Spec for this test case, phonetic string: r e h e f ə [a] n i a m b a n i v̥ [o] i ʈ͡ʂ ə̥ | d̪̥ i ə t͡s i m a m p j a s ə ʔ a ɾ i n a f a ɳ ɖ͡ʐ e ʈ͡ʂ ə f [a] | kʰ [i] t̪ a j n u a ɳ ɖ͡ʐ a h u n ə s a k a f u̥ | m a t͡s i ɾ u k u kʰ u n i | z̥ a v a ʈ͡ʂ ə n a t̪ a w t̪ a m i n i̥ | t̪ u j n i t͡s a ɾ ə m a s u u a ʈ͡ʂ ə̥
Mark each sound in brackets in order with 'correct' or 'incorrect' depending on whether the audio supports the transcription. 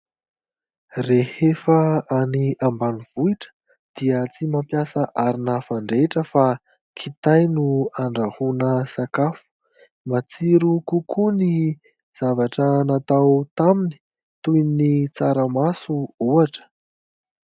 correct, incorrect: u, correct, correct

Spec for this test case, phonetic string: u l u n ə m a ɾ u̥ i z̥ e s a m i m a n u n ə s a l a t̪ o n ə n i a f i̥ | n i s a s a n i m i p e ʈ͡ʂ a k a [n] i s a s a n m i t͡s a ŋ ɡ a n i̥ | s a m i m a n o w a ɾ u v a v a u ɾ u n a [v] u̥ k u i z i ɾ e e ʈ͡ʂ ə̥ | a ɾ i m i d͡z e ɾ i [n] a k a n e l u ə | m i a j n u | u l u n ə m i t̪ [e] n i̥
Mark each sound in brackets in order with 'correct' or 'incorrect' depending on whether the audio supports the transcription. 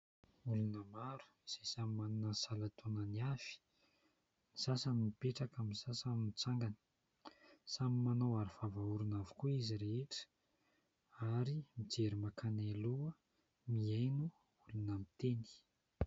incorrect: m, correct, incorrect: m, correct

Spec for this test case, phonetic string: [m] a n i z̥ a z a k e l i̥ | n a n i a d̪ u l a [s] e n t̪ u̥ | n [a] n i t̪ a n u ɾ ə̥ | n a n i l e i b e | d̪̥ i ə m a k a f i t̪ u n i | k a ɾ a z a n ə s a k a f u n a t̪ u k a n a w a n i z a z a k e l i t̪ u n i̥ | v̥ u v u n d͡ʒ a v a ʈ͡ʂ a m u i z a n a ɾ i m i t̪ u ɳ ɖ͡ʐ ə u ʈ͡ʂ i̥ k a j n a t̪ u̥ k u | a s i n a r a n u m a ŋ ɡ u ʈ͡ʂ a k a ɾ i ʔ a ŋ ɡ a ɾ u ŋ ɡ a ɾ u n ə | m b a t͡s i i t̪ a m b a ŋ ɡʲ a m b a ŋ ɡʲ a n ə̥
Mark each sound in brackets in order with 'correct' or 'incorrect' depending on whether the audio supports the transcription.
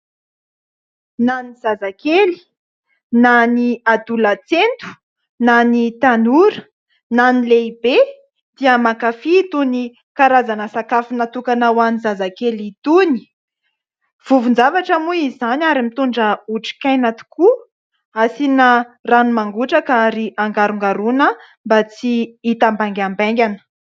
incorrect: n, incorrect: t͡s, correct

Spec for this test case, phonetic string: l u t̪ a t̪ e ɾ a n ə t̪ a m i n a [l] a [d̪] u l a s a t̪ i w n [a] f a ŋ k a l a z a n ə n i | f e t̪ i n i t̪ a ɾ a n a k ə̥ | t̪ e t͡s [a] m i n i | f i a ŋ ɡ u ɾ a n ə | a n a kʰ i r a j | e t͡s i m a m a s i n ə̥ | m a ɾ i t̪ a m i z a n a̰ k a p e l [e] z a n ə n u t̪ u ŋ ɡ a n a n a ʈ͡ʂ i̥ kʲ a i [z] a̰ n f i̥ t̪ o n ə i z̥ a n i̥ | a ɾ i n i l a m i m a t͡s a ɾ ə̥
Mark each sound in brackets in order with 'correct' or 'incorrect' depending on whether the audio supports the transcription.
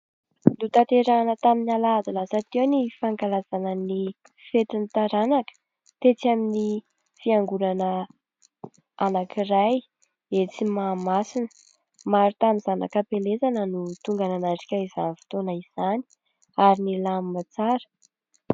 correct, correct, incorrect: i, correct, correct, correct

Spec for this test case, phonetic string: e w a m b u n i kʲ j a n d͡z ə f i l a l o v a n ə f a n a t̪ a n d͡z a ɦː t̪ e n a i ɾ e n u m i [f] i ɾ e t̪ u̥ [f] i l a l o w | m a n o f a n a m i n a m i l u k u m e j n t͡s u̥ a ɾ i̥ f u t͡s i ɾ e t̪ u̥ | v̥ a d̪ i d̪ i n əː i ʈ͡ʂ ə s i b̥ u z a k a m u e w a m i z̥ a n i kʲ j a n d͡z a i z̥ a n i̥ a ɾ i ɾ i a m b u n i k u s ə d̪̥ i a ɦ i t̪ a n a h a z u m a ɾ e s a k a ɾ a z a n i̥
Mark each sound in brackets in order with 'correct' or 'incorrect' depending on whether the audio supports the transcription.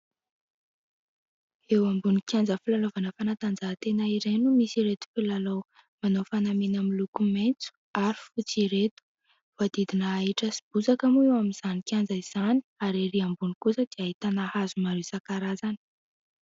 incorrect: s, correct

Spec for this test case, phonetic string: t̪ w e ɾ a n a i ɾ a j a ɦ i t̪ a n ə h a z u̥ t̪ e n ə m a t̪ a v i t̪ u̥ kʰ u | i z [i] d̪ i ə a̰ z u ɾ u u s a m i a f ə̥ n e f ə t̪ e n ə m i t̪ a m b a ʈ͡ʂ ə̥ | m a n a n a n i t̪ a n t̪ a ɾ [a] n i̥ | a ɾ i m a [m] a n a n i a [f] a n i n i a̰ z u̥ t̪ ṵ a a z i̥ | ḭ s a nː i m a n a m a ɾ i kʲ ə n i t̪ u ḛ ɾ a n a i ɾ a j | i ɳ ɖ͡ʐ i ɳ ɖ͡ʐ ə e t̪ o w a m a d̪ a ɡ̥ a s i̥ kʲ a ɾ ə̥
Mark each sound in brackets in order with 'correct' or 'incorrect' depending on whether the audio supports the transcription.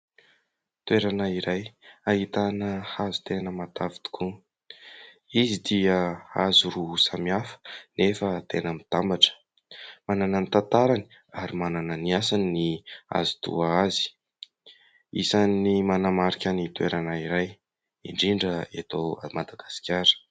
correct, correct, incorrect: n, incorrect: s

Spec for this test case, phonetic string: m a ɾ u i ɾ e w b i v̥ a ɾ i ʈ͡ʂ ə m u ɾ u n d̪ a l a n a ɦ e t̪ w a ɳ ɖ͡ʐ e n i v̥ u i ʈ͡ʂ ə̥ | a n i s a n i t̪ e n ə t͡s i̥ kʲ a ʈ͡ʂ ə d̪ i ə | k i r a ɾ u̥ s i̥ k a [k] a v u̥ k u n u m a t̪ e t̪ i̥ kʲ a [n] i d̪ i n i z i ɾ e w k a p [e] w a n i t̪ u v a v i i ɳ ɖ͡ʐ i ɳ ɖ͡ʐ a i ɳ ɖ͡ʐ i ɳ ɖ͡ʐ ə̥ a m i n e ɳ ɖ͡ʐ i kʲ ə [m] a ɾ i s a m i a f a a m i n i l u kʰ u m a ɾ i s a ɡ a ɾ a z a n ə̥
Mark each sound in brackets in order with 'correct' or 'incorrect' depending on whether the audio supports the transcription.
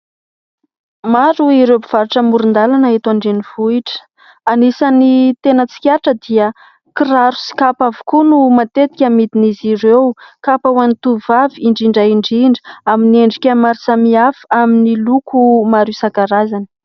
incorrect: p, incorrect: m, incorrect: a, correct

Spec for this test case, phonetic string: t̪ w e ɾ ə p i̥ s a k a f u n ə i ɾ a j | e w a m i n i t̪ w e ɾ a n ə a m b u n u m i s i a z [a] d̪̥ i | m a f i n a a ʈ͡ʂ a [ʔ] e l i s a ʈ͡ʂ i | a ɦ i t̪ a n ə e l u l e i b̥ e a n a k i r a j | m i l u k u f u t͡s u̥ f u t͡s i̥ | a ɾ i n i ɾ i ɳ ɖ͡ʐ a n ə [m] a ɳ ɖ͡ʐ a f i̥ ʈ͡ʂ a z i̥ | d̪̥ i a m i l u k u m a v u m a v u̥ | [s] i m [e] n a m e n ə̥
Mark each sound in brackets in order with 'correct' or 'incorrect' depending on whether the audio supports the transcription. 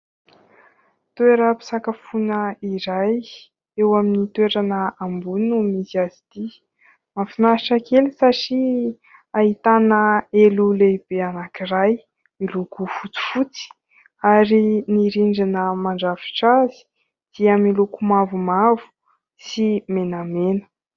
incorrect: i, incorrect: k, correct, correct, correct

